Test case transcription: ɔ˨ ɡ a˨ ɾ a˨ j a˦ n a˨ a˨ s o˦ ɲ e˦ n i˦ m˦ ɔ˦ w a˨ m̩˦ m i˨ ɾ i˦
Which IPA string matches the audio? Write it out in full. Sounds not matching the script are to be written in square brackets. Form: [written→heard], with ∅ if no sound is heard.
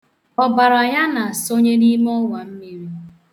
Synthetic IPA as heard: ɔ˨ [ɡ→b] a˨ ɾ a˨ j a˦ n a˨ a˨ s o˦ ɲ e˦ n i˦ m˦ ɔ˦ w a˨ m̩˦ m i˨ ɾ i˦

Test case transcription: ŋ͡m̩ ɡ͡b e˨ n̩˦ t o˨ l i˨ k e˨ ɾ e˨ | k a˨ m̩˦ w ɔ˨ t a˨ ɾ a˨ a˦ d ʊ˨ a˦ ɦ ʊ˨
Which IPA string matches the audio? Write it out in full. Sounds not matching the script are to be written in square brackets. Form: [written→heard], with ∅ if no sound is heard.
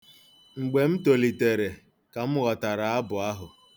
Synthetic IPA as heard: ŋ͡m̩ ɡ͡b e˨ [n̩˦→m̩˦] t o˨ l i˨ [k→t] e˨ ɾ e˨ | k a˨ m̩˦ [w→ɣ] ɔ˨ t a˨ ɾ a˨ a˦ [d→b] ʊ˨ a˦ ɦ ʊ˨

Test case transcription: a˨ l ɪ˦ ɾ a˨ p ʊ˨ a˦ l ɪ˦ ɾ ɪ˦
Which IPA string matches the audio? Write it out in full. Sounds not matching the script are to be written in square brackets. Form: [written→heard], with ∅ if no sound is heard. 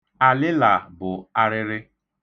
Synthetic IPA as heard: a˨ l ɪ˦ [ɾ→l] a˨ [p→b] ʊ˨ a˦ [l→ɾ] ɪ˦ ɾ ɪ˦

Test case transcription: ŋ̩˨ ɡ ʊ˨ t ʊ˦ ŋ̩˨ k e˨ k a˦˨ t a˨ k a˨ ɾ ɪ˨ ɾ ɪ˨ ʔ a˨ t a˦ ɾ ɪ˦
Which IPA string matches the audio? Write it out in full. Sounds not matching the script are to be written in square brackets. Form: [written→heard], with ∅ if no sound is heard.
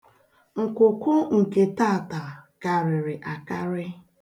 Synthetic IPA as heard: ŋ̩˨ [ɡ→k] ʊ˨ [t→k] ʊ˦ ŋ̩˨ k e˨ [k→t] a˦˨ t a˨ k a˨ ɾ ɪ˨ ɾ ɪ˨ ʔ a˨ [t→k] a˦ ɾ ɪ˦

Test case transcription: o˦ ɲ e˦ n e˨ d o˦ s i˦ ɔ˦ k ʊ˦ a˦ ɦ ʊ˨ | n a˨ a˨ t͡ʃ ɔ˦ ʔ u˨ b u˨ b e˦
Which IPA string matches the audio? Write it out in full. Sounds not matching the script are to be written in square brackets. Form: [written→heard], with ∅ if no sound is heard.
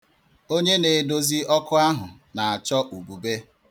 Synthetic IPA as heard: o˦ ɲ e˦ n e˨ d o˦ [s→z] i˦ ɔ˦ k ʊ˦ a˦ ɦ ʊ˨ | n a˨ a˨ t͡ʃ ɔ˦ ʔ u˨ b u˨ b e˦

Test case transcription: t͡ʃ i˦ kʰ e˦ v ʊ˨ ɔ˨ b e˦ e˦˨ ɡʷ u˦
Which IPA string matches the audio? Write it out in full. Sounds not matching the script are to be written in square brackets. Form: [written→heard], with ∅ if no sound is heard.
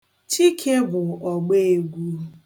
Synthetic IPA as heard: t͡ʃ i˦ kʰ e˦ [v→b] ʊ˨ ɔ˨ [b→ɡ͡b] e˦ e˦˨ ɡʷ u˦

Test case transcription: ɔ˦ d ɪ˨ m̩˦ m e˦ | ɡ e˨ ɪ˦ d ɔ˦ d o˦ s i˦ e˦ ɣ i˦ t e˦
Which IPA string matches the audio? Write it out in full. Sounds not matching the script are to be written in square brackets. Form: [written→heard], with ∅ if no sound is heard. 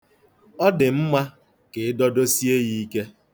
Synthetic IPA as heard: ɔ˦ d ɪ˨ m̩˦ m [e˦→a˦] | [ɡ→k] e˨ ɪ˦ d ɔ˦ d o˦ s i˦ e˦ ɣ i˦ [t→k] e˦

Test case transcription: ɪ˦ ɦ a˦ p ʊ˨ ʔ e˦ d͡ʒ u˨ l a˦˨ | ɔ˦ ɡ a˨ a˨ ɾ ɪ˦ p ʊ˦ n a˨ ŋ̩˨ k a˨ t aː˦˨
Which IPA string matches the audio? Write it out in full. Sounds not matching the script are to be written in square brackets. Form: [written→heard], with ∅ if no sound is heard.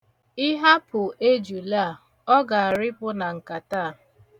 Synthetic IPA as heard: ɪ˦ ɦ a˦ p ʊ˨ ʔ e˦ d͡ʒ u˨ l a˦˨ | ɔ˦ ɡ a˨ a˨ ɾ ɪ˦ p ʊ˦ n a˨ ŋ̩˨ k a˨ t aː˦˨

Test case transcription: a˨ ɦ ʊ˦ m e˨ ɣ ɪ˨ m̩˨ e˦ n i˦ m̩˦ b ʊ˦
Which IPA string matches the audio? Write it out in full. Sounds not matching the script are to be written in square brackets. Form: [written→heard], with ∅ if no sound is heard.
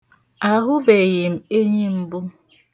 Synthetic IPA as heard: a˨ ɦ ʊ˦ [m→b] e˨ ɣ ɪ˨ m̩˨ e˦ [n→ɲ] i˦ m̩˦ b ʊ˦

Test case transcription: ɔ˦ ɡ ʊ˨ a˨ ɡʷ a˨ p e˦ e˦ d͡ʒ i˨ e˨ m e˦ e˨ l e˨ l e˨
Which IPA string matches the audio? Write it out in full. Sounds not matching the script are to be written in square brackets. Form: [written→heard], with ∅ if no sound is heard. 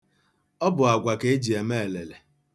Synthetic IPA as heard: ɔ˦ [ɡ→b] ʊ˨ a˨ ɡʷ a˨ [p→k] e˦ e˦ d͡ʒ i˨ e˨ m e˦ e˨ l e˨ l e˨

